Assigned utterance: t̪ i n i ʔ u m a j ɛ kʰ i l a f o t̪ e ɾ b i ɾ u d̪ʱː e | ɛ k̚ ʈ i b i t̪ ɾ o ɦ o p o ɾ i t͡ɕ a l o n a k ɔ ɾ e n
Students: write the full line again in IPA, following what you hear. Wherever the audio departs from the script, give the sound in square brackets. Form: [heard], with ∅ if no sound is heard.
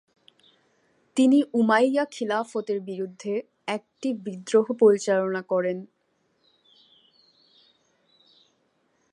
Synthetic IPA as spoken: t̪ i n i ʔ u m a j [a] kʰ i l a f o t̪ e ɾ b i ɾ u d̪ʱː e | ɛ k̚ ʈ i b i [d̪] ɾ o ɦ o p o ɾ i t͡ɕ a l o n a k ɔ ɾ e n